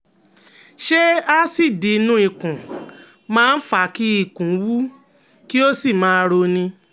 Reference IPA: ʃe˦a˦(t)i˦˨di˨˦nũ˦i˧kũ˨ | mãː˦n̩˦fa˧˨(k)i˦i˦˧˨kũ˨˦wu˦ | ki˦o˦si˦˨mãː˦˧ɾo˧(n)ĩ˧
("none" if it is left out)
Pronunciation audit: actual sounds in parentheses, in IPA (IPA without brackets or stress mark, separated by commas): s, k, n